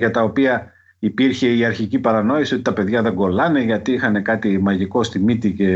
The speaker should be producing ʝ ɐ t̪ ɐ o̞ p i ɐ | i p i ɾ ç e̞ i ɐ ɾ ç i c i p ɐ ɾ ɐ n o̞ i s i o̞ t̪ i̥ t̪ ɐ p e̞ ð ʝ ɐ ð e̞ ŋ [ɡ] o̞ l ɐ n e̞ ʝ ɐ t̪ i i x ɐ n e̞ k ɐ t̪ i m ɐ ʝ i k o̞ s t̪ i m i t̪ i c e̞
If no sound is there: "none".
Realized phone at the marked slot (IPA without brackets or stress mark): ɡ